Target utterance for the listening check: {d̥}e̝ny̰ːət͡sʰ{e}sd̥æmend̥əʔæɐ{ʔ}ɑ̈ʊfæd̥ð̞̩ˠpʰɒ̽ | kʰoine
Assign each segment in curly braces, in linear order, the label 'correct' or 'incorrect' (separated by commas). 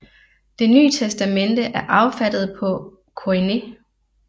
correct, correct, correct